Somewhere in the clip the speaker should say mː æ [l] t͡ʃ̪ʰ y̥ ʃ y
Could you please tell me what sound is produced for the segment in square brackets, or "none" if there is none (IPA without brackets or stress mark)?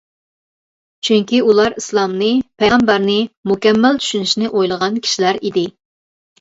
l